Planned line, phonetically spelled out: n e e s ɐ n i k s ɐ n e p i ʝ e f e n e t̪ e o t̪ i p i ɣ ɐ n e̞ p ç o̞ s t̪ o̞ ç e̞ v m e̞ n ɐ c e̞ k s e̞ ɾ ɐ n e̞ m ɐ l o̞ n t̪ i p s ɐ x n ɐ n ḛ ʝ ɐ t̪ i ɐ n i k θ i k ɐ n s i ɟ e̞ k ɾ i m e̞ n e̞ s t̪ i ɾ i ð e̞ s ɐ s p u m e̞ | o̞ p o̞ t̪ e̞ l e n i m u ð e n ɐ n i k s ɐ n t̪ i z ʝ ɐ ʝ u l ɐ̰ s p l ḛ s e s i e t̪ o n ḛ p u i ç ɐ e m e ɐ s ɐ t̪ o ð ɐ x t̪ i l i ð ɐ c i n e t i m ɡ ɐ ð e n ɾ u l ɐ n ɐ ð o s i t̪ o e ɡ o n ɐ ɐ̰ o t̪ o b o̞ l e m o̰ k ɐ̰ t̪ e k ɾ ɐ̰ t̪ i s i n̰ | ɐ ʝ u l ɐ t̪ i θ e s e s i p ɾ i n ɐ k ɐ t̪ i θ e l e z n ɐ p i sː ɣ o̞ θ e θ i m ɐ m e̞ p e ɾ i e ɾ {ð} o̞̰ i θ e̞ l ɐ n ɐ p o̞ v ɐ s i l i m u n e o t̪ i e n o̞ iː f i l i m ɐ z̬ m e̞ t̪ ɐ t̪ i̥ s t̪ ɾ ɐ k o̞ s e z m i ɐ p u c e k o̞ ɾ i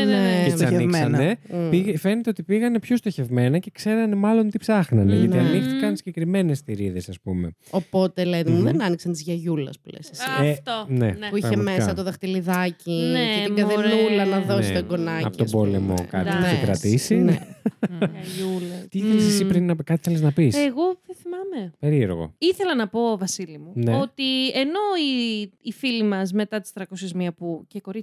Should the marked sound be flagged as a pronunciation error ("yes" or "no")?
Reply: yes